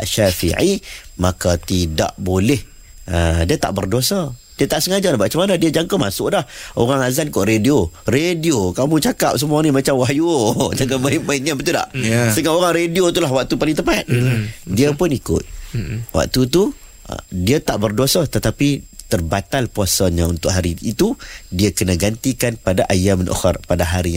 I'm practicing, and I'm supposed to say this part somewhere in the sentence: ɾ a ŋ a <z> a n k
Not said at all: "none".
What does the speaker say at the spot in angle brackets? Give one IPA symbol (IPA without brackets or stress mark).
z